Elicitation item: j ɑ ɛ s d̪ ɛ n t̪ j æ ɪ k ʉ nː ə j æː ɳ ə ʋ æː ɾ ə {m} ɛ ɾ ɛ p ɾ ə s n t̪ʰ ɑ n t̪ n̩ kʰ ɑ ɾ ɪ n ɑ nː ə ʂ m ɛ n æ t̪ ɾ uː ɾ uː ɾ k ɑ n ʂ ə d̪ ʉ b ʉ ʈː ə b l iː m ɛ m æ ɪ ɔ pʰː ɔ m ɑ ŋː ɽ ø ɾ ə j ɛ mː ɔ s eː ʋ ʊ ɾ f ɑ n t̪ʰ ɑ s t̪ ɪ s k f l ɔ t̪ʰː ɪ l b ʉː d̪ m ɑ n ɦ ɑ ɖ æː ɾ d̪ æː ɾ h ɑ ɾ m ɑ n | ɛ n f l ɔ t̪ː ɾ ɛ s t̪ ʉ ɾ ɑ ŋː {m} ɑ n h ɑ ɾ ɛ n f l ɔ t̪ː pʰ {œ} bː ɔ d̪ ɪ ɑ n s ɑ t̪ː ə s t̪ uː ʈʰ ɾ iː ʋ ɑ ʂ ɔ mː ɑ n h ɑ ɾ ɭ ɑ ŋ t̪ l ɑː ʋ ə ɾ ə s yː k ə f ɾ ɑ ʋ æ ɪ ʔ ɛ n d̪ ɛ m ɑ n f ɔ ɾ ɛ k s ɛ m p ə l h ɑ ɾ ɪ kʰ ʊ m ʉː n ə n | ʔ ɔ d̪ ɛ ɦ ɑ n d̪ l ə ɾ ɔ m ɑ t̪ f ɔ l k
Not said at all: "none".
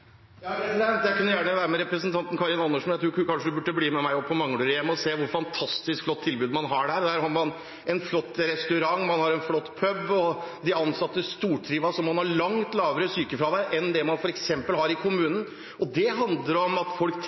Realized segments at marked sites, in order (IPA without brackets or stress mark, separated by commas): m, m, œ